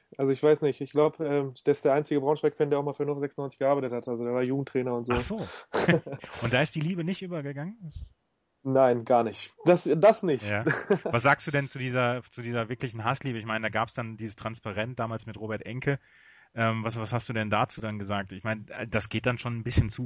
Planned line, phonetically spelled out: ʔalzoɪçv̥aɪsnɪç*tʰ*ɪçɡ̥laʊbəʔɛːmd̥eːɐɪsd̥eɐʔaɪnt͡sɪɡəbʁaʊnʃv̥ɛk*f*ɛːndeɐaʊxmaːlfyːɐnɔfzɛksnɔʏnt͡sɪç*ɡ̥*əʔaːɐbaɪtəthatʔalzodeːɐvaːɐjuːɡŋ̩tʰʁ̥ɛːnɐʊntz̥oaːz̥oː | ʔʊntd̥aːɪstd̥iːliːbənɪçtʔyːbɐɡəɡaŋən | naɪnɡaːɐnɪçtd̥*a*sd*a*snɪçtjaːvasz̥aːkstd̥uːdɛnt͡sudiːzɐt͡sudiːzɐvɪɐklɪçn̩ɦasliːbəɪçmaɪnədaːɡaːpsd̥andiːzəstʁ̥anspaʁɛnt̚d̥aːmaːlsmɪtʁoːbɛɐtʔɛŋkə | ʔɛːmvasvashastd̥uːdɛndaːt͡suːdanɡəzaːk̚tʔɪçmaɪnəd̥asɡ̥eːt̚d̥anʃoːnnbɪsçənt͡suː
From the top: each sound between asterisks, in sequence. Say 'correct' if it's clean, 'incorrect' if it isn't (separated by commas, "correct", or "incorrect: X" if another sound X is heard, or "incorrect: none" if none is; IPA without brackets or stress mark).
incorrect: t, correct, correct, correct, correct